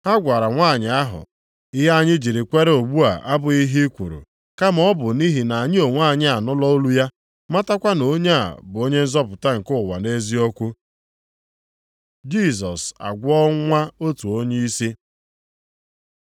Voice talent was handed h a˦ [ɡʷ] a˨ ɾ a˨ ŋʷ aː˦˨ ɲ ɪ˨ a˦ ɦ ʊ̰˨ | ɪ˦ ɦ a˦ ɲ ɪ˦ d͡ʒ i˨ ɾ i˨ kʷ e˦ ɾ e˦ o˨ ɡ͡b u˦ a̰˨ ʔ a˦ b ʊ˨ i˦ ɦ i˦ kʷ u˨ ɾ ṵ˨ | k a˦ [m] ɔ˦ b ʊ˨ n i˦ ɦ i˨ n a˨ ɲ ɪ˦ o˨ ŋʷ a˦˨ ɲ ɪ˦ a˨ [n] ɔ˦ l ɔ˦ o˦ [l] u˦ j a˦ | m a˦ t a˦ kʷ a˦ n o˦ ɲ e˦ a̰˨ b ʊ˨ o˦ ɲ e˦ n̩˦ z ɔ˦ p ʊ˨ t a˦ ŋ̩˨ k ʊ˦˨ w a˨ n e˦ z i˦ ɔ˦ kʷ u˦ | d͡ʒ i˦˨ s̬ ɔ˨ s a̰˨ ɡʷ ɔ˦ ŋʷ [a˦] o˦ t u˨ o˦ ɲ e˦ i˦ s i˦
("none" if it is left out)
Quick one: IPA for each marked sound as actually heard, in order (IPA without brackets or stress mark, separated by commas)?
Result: ɡʷ, m, n, l, a˦